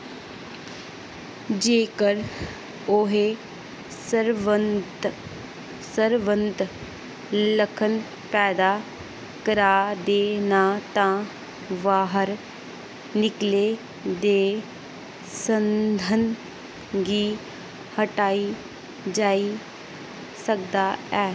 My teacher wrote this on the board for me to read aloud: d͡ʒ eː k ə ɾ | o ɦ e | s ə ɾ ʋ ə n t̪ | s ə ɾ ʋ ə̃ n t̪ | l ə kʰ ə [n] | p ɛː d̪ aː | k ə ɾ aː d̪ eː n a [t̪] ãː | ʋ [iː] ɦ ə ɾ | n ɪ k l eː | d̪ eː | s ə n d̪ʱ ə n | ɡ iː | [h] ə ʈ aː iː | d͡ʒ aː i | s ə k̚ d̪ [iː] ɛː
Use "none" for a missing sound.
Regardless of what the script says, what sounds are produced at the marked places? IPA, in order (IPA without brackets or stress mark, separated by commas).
n, t̪, aː, h, aː